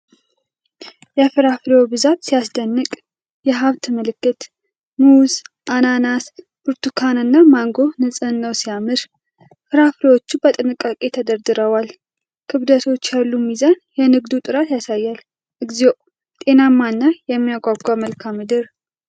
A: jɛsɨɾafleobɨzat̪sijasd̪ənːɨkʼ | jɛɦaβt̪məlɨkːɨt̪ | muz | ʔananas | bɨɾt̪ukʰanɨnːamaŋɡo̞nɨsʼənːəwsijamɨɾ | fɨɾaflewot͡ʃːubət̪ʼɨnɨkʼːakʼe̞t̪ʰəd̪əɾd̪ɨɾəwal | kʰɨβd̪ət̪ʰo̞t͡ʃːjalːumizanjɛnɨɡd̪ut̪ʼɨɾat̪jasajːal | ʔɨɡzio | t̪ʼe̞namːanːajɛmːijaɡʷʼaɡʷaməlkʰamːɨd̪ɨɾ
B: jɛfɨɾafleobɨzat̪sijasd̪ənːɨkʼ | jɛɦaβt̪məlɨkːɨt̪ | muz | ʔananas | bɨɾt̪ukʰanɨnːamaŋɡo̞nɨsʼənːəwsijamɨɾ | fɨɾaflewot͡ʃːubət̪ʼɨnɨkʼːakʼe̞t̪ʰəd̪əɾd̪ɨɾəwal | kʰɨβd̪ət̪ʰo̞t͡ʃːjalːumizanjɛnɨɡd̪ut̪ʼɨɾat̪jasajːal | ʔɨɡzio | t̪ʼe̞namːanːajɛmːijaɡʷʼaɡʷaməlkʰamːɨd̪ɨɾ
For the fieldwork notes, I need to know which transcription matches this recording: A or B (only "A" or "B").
B